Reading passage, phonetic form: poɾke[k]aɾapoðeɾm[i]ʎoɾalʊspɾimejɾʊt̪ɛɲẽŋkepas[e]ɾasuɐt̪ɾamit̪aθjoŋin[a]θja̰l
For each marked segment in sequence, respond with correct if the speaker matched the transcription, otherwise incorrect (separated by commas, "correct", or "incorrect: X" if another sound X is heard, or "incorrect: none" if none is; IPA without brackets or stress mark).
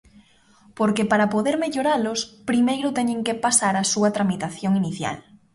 incorrect: p, incorrect: e, incorrect: a, incorrect: i